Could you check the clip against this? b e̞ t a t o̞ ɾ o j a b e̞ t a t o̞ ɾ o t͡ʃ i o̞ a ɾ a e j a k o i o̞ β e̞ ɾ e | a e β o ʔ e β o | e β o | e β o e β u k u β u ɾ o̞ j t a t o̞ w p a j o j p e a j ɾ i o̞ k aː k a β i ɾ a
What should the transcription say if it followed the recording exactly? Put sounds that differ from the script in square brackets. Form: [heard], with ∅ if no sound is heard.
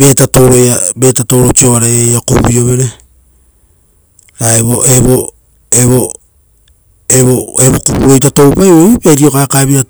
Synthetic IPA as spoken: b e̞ t a t o̞ ɾ o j a b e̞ t a t o̞ ɾ o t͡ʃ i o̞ a ɾ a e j a k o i o̞ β e̞ ɾ e | a e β o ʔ e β o | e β o | e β o e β [o] k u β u ɾ o̞ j t a t o̞ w p a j o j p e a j ɾ i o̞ k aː k a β i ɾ a